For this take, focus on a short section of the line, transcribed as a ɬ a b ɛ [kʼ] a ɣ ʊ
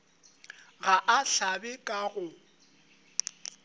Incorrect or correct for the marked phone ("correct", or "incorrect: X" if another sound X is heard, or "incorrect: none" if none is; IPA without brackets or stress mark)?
correct